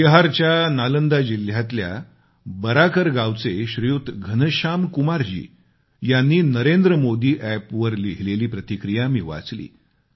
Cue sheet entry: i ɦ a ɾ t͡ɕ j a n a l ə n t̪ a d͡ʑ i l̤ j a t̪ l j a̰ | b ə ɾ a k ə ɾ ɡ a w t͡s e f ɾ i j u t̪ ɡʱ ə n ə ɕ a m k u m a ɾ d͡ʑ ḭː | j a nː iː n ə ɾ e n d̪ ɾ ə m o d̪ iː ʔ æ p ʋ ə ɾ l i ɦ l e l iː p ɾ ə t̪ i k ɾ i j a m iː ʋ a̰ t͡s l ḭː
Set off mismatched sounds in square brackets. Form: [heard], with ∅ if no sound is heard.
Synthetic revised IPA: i ɦ a ɾ t͡ɕ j a n a l ə n [d̪] a d͡ʑ i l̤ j a t̪ l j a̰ | b ə ɾ a k ə ɾ ɡ a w t͡s e [ɕ] ɾ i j u t̪ ɡʱ ə n ə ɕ a m k u m a ɾ d͡ʑ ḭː | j a nː iː n ə ɾ e n d̪ ɾ ə m o d̪ iː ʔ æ p ʋ ə ɾ l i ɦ l e l iː p ɾ ə t̪ i k ɾ i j a m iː ʋ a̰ t͡s l ḭː